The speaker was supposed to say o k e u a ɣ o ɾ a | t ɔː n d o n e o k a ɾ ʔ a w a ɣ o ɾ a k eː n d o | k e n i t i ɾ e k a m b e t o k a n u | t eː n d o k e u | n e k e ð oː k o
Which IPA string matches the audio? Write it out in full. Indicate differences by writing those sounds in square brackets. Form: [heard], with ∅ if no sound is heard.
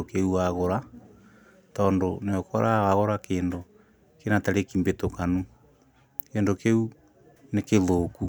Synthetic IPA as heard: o k e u a ɣ o ɾ a | t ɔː n d o n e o k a ɾ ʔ a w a ɣ o ɾ a k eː n d o | k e n [a] t [a] ɾ e k [i] m b e t o k a n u | [k] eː n d o k e u | n e k e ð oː k [u]